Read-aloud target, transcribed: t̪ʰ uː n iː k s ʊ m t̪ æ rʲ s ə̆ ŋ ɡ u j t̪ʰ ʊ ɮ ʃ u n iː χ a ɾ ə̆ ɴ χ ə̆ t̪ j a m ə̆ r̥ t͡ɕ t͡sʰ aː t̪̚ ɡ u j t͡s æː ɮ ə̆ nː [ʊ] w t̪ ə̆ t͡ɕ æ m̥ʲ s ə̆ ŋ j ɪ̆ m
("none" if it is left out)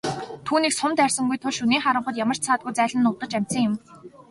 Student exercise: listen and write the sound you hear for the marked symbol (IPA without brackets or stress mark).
ʊ